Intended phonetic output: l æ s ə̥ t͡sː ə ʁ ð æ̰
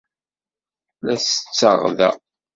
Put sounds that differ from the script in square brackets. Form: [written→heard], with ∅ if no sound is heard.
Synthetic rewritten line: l æ s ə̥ t͡sː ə ʁ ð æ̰